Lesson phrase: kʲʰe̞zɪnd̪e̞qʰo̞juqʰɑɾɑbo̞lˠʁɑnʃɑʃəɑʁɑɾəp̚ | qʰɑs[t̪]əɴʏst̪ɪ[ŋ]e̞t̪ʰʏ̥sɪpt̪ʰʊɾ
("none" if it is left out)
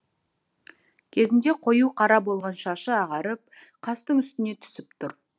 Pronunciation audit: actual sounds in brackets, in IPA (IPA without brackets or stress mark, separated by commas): t̪, n